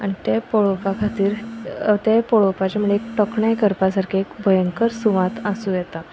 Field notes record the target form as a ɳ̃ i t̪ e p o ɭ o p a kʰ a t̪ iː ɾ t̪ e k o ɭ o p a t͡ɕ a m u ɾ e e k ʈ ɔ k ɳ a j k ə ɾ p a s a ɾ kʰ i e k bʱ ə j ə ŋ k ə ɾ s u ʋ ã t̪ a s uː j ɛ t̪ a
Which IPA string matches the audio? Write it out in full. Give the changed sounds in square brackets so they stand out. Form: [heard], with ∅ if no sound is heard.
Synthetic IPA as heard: a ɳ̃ i t̪ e p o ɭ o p a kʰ a t̪ iː ɾ t̪ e [p] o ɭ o p a t͡ɕ a m u [ɭ] e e k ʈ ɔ k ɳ a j k ə ɾ p a s a ɾ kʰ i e k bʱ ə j ə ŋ k ə ɾ s u ʋ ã t̪ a s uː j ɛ t̪ a